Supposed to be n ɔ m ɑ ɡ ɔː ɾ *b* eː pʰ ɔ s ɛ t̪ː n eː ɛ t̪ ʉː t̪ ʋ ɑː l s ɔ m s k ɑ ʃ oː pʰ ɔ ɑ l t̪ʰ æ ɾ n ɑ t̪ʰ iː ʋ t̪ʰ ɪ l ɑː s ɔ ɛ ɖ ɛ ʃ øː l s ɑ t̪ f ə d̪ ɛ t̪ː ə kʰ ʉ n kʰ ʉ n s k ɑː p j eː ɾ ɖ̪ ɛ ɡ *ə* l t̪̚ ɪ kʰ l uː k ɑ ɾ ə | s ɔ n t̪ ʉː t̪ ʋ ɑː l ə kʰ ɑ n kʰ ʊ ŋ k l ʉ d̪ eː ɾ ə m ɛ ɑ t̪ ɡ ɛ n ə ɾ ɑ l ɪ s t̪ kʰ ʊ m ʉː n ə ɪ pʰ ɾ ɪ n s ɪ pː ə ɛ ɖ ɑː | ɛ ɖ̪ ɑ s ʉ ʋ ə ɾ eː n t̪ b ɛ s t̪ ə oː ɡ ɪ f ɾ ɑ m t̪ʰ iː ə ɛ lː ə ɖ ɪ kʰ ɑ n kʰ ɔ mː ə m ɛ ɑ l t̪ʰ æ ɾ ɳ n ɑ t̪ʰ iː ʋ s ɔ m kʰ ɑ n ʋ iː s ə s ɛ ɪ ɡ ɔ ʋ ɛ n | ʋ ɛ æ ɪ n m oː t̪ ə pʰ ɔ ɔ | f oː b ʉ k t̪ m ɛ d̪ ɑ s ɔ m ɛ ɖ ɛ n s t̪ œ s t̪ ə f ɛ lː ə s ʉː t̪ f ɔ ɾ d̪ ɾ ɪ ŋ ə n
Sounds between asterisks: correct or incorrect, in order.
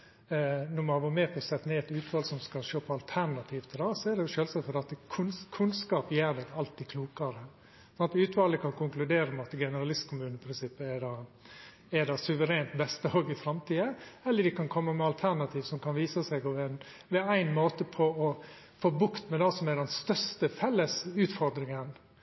incorrect: m, incorrect: ɑ

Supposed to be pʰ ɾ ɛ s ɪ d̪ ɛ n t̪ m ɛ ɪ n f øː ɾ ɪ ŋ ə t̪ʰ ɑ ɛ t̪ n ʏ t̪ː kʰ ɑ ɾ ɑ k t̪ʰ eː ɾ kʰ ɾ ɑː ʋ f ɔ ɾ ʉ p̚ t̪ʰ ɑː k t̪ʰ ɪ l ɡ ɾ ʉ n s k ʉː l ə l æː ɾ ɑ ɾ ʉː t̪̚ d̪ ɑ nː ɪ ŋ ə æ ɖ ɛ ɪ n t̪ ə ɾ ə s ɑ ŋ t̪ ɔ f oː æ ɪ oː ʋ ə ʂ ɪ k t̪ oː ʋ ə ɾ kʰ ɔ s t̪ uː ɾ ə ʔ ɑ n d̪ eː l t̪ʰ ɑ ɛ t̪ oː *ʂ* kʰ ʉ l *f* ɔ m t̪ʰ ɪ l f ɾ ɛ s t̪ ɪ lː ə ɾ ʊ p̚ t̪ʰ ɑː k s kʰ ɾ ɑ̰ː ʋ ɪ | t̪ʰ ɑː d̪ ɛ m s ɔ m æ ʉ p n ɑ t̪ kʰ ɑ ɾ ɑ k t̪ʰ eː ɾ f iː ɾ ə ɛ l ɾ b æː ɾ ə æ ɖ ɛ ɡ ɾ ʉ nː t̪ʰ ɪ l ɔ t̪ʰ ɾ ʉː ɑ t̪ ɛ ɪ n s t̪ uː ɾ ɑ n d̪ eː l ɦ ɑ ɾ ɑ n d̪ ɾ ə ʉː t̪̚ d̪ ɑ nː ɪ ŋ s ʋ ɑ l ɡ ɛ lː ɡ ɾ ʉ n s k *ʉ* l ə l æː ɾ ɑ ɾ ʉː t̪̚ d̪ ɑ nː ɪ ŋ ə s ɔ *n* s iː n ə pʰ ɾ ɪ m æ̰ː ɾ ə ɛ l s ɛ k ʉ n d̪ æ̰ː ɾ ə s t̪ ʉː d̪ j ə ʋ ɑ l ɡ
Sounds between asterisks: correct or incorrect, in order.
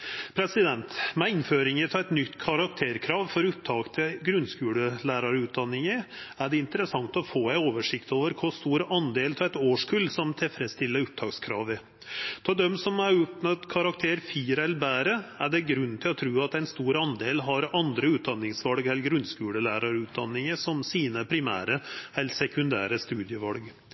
correct, incorrect: s, incorrect: ʉː, incorrect: m

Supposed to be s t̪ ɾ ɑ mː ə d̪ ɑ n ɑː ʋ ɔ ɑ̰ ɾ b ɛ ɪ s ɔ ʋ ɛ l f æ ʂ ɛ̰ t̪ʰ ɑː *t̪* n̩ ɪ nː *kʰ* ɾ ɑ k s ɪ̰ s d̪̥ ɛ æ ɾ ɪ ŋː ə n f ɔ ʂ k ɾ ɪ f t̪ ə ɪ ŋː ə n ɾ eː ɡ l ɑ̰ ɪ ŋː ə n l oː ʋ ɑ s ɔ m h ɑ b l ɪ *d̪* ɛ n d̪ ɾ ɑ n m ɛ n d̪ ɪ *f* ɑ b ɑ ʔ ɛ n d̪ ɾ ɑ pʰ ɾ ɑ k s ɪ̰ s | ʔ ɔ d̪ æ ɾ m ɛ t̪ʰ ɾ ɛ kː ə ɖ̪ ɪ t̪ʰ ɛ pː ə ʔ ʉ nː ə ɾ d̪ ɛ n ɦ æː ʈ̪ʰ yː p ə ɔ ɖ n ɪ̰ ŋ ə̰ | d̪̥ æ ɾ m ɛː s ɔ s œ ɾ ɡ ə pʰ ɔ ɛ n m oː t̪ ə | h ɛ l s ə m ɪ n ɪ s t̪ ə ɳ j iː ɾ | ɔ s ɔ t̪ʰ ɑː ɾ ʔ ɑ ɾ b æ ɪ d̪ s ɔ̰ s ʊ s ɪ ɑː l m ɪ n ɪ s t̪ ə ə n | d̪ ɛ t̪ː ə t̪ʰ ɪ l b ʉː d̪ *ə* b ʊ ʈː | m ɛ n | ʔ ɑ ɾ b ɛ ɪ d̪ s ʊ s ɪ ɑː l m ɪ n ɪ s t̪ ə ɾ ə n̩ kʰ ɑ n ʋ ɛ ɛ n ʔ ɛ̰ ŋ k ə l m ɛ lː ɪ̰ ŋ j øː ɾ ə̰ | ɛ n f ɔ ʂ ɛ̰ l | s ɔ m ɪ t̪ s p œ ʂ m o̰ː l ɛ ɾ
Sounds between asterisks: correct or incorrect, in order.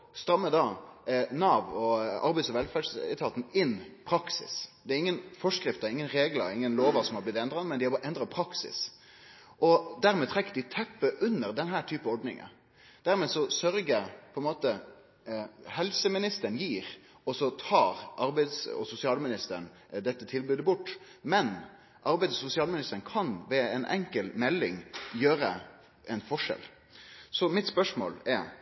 correct, incorrect: pʰ, incorrect: t̪, incorrect: h, correct

